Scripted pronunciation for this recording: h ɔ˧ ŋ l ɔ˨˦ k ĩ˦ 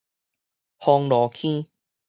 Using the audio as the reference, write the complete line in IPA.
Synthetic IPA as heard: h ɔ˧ ŋ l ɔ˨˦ kʰ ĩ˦